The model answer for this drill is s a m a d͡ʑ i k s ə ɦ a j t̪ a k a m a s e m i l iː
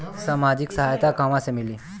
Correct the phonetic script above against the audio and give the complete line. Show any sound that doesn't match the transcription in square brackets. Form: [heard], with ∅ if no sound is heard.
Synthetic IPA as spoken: s a m a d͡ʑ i k s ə ɦ a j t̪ a k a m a s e m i l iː